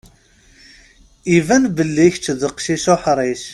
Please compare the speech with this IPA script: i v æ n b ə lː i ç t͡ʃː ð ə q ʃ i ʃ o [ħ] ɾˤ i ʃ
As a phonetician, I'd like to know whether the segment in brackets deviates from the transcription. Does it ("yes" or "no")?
no